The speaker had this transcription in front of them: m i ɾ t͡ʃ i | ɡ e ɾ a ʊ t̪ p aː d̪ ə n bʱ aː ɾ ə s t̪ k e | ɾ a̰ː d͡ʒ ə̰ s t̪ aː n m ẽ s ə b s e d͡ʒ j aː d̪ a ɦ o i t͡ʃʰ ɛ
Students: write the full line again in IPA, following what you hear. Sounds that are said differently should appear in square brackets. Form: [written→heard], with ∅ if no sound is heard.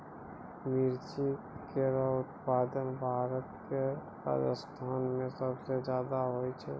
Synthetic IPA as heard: m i ɾ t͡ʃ i | [ɡ→k] e ɾ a ʊ t̪ p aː d̪ ə n bʱ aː ɾ ə [s→∅] t̪ k e | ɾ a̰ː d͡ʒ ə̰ s [t̪→t̪ʰ] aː n m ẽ s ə b s e d͡ʒ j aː d̪ a ɦ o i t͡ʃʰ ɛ